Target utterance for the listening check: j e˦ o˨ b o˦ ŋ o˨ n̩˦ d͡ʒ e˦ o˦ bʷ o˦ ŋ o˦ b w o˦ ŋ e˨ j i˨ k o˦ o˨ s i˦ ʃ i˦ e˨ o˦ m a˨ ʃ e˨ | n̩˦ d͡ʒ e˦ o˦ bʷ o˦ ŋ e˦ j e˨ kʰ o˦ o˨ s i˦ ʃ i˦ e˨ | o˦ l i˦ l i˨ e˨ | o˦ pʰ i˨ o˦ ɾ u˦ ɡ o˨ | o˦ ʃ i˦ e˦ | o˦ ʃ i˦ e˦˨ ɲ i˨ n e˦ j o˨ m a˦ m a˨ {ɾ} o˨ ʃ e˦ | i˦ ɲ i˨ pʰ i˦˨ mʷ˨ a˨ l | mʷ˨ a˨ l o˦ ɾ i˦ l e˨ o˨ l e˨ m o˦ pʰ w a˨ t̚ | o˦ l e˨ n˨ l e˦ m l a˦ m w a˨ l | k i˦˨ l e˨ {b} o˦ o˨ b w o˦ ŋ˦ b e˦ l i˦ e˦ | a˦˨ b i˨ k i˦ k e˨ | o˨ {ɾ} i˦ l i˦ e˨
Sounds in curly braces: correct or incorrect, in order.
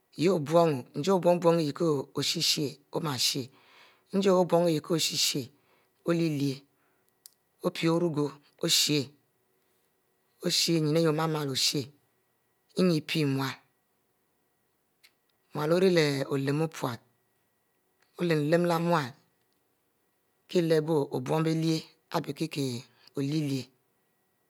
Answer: incorrect, correct, incorrect

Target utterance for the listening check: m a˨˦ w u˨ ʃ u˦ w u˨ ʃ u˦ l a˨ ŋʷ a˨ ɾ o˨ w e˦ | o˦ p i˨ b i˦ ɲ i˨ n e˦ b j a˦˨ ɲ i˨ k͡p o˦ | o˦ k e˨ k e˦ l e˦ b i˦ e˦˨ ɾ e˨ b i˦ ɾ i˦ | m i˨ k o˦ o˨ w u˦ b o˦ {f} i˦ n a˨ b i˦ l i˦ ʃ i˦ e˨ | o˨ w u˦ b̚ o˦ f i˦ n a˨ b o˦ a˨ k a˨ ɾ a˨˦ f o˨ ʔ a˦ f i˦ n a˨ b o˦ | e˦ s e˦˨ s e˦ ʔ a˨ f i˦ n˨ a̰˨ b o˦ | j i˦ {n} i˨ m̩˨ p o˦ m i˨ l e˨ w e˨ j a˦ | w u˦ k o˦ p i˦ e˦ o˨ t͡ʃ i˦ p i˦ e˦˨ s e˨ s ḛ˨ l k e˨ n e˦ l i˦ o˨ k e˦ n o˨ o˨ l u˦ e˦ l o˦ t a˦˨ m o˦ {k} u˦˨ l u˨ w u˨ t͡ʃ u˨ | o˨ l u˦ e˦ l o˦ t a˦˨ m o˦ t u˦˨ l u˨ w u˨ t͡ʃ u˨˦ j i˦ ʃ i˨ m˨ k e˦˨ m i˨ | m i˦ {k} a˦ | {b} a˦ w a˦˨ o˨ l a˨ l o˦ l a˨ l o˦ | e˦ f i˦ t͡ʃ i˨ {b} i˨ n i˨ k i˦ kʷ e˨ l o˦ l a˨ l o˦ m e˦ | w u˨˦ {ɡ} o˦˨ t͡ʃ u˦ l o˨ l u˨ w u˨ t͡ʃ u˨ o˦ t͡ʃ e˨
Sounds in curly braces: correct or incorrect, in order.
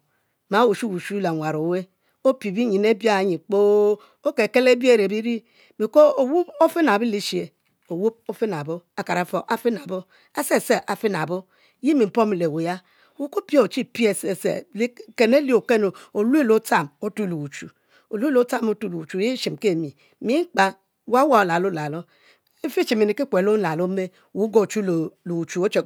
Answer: correct, incorrect, incorrect, incorrect, incorrect, incorrect, correct

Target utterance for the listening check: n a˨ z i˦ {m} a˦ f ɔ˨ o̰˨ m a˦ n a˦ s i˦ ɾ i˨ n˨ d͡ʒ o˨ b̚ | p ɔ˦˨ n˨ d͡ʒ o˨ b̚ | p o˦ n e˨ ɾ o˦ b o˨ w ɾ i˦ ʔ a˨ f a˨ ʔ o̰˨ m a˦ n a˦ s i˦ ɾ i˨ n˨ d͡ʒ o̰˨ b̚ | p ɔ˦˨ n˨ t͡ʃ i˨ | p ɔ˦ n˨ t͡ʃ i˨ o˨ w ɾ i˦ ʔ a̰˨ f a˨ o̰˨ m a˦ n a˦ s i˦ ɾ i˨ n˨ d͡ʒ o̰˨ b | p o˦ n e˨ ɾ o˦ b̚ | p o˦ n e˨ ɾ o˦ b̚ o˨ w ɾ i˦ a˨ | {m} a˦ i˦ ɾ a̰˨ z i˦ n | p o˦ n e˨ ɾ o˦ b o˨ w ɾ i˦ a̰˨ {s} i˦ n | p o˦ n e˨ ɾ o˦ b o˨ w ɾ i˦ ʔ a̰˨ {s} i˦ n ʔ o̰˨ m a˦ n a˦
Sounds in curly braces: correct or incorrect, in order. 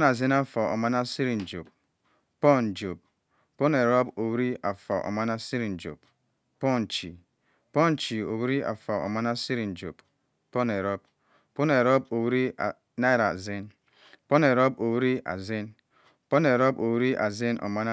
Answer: incorrect, incorrect, incorrect, incorrect

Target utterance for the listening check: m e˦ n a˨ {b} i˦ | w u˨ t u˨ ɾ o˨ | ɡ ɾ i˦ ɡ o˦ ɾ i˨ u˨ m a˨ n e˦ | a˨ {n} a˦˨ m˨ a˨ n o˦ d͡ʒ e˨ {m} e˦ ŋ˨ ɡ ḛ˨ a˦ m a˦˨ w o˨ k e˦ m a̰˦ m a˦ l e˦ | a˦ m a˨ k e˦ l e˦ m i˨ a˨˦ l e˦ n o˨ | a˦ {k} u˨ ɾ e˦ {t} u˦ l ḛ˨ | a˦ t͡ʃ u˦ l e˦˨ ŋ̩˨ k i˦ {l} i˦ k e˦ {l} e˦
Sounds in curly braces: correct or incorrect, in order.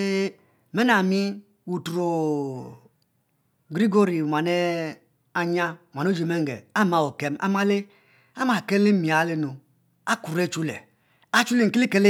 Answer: incorrect, incorrect, correct, correct, incorrect, correct, correct

